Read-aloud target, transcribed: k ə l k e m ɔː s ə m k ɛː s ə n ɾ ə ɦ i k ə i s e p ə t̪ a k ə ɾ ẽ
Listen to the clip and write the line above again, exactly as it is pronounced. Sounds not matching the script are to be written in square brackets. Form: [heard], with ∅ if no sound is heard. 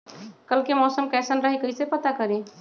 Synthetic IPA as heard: k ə l k e m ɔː s ə m k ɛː s ə n ɾ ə ɦ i k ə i s e p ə t̪ a k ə ɾ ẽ